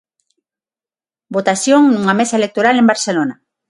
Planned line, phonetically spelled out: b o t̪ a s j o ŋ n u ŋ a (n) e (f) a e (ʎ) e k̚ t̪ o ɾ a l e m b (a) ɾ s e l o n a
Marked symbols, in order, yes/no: no, no, no, yes

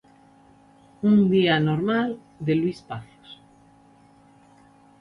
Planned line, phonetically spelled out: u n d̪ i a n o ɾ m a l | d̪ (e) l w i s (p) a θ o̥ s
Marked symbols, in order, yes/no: yes, yes

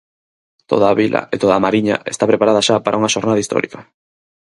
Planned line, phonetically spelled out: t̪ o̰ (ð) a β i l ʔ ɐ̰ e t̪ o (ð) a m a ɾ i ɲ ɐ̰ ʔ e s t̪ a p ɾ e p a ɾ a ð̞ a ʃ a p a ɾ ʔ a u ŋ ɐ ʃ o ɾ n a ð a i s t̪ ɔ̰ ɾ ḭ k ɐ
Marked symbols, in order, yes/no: yes, yes

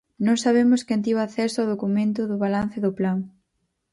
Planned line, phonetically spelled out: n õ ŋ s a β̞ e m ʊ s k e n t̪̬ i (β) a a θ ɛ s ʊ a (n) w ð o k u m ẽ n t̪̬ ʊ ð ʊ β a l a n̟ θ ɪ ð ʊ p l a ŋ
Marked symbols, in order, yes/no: yes, no

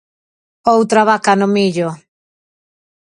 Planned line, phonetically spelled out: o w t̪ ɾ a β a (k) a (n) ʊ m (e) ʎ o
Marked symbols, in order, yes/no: yes, yes, no

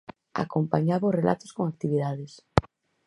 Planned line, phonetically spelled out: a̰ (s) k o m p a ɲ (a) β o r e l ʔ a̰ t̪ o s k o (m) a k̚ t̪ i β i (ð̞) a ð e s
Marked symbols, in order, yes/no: no, yes, no, yes

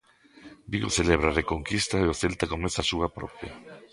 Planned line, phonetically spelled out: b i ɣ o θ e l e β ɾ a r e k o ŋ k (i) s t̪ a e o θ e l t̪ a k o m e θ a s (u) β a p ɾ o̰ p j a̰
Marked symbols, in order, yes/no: yes, yes

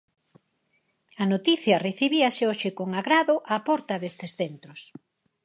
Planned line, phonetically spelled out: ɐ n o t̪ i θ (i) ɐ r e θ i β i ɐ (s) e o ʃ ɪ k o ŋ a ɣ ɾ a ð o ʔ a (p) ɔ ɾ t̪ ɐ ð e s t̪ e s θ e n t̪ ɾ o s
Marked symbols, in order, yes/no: no, yes, yes

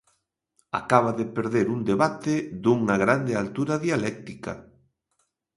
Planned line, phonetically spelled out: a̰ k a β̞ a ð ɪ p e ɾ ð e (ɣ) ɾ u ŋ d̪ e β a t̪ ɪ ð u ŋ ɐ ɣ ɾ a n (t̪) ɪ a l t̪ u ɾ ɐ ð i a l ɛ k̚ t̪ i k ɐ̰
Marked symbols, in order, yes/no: no, no

